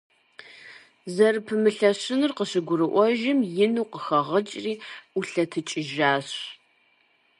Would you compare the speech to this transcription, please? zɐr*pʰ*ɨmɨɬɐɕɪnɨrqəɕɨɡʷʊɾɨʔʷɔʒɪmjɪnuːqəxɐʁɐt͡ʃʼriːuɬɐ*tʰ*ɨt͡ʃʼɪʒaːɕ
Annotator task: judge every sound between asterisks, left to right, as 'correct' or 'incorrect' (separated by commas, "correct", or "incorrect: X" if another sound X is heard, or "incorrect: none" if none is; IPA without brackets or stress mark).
correct, correct